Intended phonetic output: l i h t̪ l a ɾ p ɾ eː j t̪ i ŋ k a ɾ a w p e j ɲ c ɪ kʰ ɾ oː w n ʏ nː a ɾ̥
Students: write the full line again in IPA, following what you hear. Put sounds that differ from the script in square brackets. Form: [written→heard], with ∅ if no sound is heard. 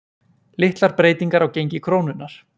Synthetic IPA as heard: l [i→ɪ] h t̪ l a ɾ p ɾ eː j t̪ i ŋ k a ɾ a w [p→c] e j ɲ c ɪ kʰ ɾ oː w n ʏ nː a ɾ̥